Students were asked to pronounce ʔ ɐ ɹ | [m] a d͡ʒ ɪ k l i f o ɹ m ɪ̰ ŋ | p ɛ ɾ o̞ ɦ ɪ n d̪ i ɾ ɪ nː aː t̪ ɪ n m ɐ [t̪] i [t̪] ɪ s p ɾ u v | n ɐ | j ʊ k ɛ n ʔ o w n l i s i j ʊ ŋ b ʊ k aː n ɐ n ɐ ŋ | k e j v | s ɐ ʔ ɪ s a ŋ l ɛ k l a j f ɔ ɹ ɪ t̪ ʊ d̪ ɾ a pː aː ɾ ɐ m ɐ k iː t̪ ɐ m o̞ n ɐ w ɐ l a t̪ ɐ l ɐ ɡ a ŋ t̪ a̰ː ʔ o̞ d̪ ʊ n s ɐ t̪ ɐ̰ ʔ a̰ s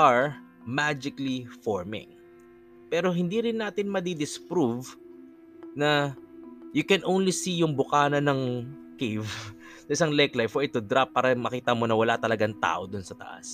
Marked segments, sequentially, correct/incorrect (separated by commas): correct, incorrect, incorrect